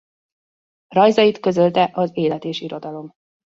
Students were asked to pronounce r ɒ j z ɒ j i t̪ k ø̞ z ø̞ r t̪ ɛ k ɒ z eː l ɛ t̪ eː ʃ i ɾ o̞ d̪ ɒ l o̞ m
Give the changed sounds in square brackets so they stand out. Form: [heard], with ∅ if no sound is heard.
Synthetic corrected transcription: r ɒ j z ɒ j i t̪ k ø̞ z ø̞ [l] t̪ ɛ [ʔ] ɒ z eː l ɛ t̪ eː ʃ i ɾ o̞ d̪ ɒ l o̞ m

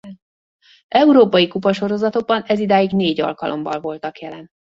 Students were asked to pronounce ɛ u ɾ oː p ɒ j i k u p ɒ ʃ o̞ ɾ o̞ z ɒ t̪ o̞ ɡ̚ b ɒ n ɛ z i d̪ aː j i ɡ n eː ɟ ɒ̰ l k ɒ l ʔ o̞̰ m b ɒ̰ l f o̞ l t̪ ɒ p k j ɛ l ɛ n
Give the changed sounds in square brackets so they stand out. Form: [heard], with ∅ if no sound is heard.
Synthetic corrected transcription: ɛ u ɾ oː p ɒ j i k u p ɒ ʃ o̞ ɾ o̞ z ɒ t̪ o̞ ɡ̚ b ɒ n ɛ z i d̪ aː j i ɡ n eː ɟ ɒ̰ l k ɒ l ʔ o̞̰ m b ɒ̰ l [v] o̞ l t̪ ɒ [∅] k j ɛ l ɛ n

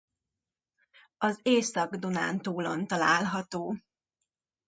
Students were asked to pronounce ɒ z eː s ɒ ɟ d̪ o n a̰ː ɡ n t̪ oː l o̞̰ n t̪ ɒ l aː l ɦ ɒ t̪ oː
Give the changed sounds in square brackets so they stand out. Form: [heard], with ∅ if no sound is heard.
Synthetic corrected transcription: ɒ z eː s ɒ [ɡ] d̪ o n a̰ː [∅] n t̪ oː l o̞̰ n t̪ ɒ l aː l ɦ ɒ t̪ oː

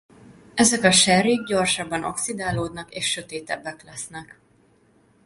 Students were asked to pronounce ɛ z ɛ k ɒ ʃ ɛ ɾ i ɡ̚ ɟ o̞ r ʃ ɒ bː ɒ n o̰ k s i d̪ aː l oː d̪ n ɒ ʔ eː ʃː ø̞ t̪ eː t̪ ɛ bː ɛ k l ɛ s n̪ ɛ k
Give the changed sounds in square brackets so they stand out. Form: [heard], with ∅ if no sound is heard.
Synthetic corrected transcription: ɛ z ɛ k ɒ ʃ ɛ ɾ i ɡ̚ ɟ o̞ r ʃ ɒ bː ɒ n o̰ k s i d̪ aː l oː d̪ n ɒ [k] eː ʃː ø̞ t̪ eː t̪ ɛ bː ɛ k l ɛ s n̪ ɛ k

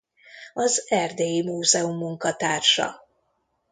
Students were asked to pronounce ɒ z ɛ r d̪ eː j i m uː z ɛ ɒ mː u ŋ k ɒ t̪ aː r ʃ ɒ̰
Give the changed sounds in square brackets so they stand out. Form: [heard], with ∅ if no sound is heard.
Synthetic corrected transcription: ɒ z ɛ r d̪ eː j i m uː z ɛ [u] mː u ŋ k ɒ t̪ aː r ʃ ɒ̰

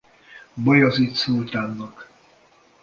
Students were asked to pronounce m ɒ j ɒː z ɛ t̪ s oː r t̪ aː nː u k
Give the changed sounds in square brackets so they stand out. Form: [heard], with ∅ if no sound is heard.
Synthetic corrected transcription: [b] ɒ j [ɒ] z [i] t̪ s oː [l] t̪ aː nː [ɒ] k

